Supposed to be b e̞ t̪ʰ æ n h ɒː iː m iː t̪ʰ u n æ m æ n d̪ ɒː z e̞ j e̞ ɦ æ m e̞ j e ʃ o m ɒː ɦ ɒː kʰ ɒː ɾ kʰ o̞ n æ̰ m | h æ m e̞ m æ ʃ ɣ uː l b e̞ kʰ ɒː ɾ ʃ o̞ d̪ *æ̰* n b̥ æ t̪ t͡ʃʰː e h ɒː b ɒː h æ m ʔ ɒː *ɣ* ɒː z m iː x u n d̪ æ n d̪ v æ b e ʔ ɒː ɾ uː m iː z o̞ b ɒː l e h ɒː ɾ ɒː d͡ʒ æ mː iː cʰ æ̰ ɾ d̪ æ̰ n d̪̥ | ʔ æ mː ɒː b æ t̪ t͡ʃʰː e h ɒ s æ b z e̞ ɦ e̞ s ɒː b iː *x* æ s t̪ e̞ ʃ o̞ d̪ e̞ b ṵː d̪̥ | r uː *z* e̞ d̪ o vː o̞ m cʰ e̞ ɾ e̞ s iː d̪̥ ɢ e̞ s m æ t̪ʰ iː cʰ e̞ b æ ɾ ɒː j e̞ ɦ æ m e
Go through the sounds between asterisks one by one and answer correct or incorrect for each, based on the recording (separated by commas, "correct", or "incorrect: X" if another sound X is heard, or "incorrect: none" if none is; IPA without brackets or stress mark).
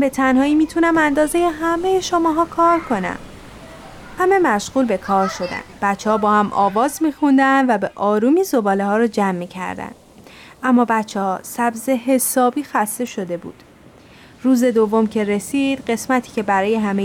correct, incorrect: v, correct, correct